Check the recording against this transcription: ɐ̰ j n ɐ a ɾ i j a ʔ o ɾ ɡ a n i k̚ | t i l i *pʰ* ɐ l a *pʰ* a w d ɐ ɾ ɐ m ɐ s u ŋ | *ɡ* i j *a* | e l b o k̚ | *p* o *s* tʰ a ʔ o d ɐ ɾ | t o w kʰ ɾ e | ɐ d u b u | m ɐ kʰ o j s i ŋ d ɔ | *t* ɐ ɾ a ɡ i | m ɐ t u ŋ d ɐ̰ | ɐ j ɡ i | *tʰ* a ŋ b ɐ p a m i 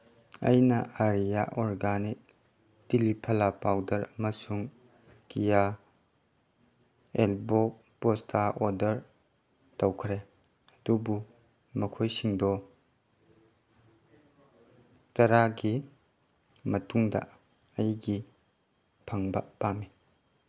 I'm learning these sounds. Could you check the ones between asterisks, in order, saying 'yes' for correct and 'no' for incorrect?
yes, no, no, yes, yes, yes, yes, no

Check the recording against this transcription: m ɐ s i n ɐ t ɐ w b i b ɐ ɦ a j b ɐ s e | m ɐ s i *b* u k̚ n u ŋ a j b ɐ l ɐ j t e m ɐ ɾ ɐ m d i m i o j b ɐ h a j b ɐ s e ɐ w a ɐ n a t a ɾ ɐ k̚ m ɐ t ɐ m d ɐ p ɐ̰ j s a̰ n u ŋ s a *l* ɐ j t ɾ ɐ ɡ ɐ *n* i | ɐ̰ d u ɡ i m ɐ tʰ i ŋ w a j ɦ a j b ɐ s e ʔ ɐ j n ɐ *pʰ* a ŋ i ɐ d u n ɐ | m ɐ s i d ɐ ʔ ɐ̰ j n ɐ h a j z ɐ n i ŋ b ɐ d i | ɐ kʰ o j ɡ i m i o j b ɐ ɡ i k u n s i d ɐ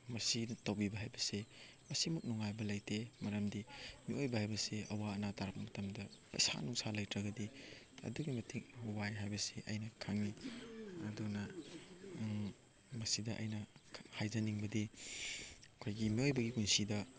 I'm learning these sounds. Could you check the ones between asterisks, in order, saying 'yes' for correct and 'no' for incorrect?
no, yes, no, no

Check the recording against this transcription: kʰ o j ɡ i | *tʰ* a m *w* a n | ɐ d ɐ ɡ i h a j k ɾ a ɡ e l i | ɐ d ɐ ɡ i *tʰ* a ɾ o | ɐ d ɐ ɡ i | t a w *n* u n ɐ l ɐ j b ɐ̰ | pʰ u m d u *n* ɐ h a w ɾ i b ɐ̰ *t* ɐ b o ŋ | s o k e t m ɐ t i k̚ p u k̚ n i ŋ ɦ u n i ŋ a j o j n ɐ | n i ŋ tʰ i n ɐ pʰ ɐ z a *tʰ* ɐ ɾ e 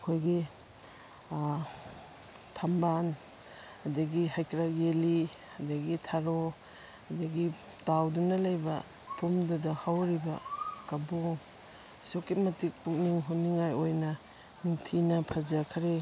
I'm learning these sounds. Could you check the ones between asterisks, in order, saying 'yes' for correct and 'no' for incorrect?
yes, no, yes, no, no, no, no

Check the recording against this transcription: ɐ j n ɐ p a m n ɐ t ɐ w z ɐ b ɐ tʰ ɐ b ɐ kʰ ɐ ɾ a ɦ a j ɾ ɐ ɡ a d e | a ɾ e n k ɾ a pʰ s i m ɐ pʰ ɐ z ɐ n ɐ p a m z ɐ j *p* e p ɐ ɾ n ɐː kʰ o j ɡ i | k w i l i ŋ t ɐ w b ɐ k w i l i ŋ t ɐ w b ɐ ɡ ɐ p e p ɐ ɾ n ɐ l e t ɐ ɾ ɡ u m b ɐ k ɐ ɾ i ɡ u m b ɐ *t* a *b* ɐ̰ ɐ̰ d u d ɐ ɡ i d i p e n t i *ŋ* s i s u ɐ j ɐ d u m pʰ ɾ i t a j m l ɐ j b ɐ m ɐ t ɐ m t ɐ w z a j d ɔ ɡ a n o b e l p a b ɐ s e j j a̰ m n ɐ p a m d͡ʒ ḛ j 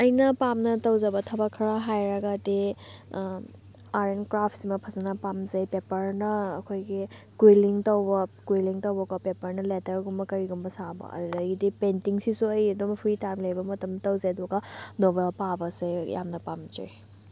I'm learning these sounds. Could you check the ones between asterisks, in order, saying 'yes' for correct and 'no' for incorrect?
yes, no, yes, yes

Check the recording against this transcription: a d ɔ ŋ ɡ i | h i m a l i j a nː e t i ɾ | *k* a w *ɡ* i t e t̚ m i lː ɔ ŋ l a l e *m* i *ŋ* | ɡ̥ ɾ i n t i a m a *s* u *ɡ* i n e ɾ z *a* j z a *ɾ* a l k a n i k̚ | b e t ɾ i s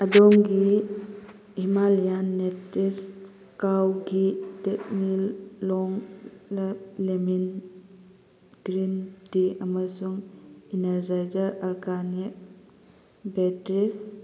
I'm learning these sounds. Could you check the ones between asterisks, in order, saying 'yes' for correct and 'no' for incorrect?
yes, yes, yes, no, yes, no, yes, yes

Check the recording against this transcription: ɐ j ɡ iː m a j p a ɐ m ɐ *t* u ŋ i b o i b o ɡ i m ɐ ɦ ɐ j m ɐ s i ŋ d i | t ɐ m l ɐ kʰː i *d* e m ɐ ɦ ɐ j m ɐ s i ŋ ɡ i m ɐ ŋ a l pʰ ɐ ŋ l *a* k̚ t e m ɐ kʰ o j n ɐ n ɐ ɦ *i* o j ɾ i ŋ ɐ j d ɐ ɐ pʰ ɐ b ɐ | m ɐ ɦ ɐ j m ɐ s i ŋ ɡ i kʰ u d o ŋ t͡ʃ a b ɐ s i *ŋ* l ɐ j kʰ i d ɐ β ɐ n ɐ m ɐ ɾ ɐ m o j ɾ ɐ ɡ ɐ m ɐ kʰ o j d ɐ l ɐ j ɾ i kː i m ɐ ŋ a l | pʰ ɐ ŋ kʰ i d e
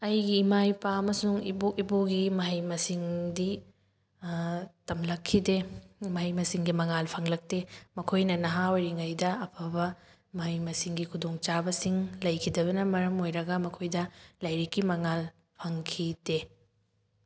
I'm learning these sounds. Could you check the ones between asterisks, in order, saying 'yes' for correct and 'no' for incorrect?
no, yes, no, no, yes

